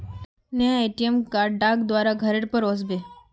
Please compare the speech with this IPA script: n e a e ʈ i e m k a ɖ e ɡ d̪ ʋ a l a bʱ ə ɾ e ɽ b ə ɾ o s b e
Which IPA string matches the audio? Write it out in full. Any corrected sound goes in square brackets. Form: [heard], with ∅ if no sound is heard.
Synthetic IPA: n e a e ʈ i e m k a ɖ [a] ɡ d̪ ʋ a [ɾ] a [ɡʱ] ə ɾ e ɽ [p] ə ɾ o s b e

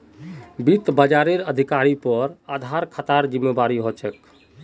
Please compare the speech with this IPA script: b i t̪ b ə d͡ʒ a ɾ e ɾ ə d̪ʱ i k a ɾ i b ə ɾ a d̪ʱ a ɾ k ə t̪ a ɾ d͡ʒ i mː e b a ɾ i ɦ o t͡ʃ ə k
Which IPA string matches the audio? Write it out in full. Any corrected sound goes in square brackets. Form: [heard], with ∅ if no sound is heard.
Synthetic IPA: b i t̪ b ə d͡ʒ a ɾ e ɾ ə d̪ʱ i k a ɾ i [p] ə ɾ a d̪ʱ a ɾ [kʰ] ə t̪ a ɾ d͡ʒ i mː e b a ɾ i ɦ o t͡ʃ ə k

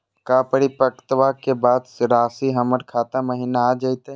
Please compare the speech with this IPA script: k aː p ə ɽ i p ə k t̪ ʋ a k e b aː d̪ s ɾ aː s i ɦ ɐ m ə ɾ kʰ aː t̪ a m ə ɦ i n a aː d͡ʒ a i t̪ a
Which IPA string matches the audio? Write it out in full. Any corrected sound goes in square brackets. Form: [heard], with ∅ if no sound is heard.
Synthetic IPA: k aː p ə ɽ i p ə k t̪ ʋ a k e b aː d̪ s ɾ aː s i ɦ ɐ m ə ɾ kʰ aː t̪ a m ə ɦ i n a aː d͡ʒ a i t̪ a

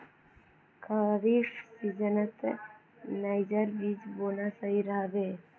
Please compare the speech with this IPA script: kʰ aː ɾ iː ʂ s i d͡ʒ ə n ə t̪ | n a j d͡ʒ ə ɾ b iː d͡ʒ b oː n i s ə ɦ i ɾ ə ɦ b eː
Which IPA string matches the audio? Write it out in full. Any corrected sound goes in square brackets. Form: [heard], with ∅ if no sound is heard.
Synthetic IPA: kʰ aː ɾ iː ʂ s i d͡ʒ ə n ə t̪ | n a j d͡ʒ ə ɾ b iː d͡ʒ b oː n [a] s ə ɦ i ɾ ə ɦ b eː

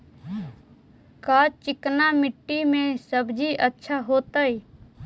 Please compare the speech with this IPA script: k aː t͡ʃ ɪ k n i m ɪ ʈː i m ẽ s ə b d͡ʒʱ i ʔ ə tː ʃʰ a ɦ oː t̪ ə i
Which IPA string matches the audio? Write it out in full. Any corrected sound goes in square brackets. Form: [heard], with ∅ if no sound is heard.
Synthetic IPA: k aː t͡ʃ ɪ k n [a] m ɪ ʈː i m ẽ s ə b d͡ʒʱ i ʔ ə tː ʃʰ a ɦ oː t̪ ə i

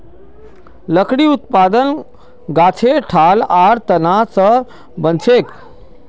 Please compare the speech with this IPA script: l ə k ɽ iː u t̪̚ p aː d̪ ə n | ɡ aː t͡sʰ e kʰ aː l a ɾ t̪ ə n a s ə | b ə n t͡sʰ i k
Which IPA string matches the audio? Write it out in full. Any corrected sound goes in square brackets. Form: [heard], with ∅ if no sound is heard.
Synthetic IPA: l ə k ɽ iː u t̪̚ p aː d̪ ə n | ɡ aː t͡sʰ e [ʈʰ] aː l a ɾ t̪ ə n a s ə | b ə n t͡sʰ [e] k

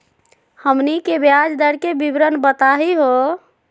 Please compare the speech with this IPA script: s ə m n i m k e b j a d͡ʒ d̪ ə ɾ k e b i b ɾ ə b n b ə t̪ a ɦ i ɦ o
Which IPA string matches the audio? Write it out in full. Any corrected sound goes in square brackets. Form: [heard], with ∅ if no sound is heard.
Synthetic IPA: [h] ə m n i [∅] k e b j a d͡ʒ d̪ ə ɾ k e b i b ɾ ə [∅] n b ə t̪ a ɦ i ɦ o

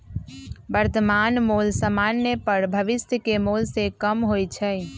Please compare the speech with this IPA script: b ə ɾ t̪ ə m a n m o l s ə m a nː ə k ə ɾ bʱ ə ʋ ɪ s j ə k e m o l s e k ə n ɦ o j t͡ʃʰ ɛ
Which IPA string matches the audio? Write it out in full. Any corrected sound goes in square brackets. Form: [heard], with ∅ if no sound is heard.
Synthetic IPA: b ə ɾ t̪ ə m a n m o l s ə m a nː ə [p] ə ɾ bʱ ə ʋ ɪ s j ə k e m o l s e k ə [m] ɦ o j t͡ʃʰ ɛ

